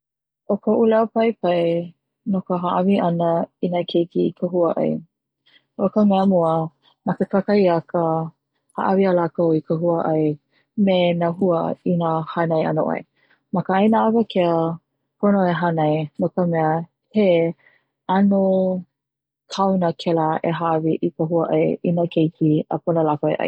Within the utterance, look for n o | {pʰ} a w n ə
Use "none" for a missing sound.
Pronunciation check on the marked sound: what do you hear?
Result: kʰ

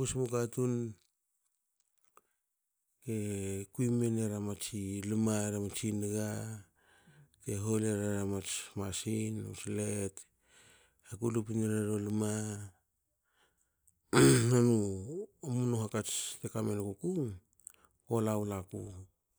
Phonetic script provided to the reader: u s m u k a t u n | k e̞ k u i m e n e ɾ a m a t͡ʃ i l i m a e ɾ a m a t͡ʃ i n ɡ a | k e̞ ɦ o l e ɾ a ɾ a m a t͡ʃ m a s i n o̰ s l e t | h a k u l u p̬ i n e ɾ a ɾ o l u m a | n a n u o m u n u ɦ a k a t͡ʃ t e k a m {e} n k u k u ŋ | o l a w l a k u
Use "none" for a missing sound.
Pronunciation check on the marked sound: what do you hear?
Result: e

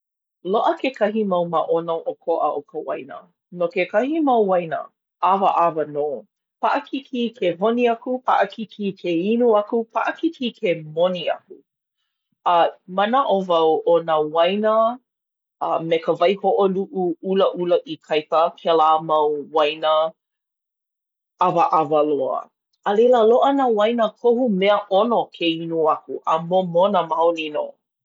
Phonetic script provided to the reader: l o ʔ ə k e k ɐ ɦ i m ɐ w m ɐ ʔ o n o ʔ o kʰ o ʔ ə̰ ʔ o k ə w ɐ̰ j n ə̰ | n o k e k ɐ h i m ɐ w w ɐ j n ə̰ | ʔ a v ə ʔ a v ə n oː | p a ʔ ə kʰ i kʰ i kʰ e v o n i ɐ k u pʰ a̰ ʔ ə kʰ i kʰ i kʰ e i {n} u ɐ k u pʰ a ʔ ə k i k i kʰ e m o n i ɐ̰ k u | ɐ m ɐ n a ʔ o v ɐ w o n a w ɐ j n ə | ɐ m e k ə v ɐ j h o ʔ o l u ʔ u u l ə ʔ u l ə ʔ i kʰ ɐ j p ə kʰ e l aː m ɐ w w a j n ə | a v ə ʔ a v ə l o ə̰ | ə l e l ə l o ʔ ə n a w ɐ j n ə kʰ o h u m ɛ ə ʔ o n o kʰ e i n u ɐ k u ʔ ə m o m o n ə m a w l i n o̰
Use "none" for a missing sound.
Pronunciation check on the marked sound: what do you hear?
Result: n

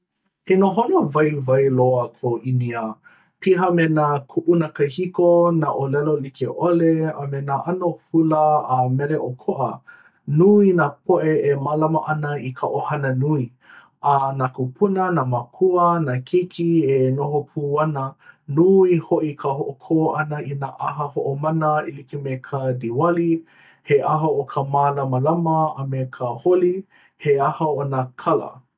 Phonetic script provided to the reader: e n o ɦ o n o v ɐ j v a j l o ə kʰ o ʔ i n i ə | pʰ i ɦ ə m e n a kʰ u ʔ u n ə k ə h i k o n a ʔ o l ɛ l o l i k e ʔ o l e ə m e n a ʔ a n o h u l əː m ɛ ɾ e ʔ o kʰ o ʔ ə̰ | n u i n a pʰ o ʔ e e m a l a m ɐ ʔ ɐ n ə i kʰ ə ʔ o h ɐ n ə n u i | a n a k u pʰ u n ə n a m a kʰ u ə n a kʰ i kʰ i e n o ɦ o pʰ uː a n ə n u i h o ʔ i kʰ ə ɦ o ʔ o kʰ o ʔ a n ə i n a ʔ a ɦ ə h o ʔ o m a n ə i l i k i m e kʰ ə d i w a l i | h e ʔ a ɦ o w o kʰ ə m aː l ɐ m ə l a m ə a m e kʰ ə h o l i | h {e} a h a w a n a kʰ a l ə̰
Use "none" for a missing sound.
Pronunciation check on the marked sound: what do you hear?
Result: e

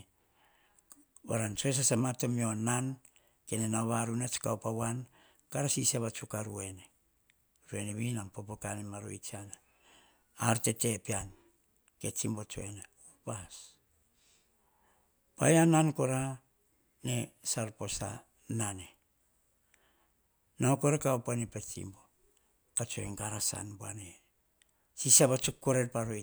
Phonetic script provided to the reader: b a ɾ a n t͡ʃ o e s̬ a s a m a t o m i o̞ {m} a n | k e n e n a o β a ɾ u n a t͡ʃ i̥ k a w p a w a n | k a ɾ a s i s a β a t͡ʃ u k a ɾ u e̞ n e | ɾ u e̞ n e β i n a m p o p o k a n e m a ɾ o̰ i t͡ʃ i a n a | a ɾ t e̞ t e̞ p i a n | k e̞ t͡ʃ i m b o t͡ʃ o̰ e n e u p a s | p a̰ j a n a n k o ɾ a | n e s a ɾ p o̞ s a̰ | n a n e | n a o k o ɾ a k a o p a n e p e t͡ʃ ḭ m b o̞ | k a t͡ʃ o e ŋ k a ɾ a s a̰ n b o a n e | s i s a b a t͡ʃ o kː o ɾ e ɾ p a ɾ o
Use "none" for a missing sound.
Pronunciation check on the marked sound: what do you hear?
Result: n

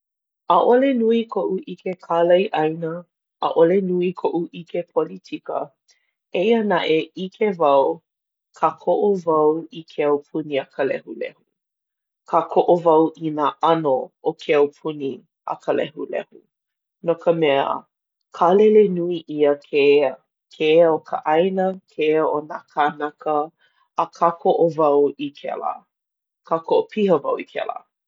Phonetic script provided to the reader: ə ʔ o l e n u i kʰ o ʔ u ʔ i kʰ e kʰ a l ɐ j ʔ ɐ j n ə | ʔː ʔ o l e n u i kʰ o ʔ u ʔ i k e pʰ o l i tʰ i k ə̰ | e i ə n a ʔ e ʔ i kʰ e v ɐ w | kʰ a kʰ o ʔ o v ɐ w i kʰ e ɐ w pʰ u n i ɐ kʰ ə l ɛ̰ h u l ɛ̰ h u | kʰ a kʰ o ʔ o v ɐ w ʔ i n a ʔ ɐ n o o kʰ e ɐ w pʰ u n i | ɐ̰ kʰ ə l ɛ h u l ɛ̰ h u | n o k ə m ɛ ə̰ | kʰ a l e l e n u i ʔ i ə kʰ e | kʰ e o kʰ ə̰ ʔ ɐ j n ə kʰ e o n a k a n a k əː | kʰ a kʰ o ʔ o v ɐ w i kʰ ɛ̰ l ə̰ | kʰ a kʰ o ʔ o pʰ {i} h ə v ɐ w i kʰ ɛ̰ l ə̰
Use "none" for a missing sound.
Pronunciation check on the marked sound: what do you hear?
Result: i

